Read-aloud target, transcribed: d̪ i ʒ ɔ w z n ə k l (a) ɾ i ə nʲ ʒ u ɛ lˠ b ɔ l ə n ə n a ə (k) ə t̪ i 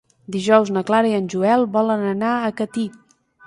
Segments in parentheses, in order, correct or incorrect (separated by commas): correct, correct